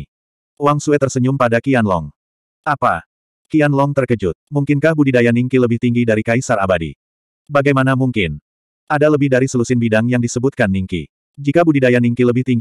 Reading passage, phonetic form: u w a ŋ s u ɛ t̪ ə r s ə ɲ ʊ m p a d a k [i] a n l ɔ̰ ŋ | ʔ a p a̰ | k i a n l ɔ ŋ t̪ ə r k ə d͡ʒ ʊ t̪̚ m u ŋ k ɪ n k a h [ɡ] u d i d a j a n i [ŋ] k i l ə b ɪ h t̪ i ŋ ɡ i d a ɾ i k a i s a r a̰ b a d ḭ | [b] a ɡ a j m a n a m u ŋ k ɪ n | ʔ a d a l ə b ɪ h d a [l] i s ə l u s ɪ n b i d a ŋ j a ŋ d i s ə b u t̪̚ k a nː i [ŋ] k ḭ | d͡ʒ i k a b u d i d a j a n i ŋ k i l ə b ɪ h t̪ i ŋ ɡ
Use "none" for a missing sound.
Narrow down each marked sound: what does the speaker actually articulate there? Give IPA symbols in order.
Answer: i, b, ŋ, b, ɾ, ŋ

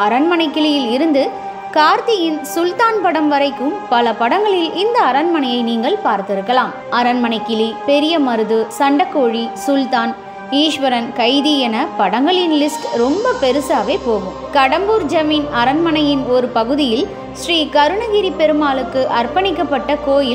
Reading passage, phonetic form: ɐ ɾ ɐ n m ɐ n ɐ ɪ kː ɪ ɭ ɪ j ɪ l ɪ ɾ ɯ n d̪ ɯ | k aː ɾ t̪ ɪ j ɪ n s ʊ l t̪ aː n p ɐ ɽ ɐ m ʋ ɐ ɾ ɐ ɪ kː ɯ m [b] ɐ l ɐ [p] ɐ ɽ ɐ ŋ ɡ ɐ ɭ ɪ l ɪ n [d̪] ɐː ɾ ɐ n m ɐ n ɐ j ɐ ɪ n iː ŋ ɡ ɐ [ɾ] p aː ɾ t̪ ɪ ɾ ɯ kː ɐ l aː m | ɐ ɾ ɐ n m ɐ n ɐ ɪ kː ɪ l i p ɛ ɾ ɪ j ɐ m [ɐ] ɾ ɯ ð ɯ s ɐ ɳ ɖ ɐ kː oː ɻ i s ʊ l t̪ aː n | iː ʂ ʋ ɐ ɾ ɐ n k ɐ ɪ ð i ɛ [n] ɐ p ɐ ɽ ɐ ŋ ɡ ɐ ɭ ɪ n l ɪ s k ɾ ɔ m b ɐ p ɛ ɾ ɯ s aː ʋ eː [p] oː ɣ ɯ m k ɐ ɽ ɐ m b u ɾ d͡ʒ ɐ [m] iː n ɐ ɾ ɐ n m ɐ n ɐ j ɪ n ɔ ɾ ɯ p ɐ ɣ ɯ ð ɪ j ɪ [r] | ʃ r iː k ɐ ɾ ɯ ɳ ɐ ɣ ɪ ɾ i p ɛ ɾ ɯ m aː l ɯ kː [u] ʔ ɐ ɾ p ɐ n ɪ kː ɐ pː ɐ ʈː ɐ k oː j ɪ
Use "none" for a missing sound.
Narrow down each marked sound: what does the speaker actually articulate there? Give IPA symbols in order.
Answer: p, p, d̪, ɭ, ɐ, n, p, m, l, ɯ

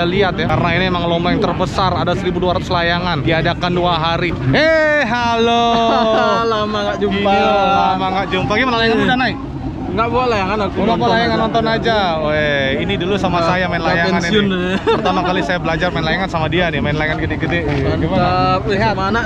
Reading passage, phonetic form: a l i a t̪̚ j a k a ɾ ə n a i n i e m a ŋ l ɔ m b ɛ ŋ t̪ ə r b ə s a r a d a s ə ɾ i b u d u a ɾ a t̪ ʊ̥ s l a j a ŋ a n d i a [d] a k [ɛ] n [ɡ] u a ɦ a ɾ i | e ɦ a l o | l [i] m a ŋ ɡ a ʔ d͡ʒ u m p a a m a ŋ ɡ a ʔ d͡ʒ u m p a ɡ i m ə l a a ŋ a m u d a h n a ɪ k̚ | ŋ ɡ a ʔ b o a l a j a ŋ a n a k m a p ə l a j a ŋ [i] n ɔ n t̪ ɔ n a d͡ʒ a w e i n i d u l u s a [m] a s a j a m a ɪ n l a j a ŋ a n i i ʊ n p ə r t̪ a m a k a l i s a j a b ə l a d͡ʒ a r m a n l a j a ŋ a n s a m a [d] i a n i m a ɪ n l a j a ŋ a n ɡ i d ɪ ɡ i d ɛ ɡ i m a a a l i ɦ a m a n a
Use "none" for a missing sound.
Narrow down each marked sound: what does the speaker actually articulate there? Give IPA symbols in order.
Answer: d, a, d, a, a, m, d

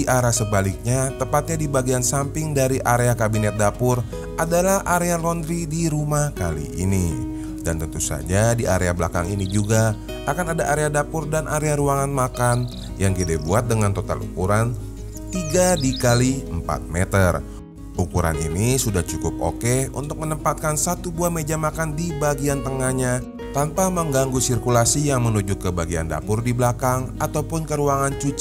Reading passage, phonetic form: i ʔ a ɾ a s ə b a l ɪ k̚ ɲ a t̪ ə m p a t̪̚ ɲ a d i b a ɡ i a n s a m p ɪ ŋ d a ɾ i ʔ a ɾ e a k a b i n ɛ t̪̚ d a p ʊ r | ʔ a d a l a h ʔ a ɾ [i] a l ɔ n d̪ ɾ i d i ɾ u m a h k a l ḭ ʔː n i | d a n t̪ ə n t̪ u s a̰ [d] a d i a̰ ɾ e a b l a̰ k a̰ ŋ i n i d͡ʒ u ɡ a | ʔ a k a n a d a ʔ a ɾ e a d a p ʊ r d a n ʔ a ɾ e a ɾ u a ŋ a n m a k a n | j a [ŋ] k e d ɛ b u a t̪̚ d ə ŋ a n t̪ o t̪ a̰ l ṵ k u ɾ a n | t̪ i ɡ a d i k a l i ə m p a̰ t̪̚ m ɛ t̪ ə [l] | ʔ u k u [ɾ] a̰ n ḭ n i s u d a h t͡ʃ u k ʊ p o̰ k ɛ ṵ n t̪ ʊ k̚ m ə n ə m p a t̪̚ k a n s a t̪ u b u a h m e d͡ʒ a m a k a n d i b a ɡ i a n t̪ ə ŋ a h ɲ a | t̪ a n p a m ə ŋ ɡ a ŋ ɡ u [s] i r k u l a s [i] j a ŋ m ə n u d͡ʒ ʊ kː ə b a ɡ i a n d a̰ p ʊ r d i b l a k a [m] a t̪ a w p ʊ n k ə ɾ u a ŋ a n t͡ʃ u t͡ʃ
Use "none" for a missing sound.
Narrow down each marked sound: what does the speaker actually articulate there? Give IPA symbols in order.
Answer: e, d͡ʒ, ŋ, r, ɾ, s, i, ŋ

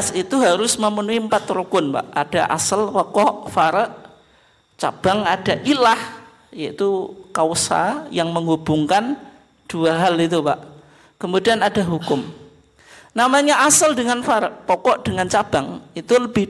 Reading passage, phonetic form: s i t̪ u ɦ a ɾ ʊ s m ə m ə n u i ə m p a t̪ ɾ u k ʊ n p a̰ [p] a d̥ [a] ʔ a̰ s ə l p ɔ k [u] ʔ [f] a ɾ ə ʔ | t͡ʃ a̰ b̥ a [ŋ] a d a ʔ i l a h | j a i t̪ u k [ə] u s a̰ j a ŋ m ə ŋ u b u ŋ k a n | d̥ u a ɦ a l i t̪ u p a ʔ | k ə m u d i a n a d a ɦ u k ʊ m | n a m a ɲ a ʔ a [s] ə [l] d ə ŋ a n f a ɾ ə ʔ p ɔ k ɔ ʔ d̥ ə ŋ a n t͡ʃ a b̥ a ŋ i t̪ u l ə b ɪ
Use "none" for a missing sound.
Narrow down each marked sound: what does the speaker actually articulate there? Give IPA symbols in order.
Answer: ʔ, a, ɔ, f, ŋ, a, s, l

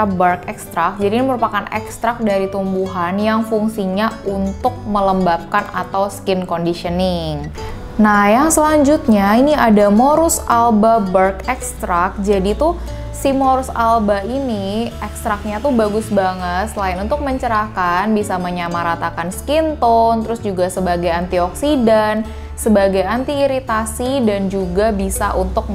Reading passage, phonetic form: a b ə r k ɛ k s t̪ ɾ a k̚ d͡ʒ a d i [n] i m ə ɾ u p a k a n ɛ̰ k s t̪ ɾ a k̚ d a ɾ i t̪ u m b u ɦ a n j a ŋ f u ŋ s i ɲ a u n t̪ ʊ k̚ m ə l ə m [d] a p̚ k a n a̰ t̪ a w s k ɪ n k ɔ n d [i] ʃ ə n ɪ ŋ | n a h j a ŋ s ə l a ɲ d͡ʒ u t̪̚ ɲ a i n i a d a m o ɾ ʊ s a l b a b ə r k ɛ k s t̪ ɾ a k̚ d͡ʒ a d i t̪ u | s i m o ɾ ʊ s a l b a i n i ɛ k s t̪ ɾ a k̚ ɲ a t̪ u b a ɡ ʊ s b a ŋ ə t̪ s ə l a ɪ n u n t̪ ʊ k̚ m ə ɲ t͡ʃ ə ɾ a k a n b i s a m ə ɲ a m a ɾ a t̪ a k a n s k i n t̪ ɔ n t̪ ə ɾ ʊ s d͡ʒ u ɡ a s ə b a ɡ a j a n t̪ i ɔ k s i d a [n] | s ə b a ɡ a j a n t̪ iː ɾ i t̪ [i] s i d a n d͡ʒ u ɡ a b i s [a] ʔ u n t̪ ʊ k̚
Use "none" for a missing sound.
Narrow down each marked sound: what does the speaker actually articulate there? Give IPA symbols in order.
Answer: n, b, i, n, a, a

